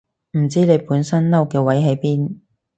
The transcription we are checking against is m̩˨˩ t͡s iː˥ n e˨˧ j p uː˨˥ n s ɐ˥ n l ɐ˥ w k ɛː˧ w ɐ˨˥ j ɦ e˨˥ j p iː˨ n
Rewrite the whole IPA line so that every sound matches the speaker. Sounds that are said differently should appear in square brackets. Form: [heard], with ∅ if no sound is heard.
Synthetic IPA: m̩˨˩ t͡s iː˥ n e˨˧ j p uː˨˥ n s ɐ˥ n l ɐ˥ w k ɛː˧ w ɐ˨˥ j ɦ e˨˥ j p [iː˥] n